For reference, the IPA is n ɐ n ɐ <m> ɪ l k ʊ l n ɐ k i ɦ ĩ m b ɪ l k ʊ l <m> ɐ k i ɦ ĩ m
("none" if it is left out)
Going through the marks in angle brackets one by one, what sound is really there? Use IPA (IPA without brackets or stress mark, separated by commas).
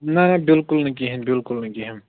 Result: b, n